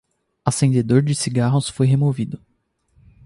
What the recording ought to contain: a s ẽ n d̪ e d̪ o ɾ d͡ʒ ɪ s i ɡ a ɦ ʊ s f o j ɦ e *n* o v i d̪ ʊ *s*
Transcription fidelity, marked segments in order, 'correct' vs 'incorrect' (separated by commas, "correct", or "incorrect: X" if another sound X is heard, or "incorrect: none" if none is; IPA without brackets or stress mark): incorrect: m, incorrect: none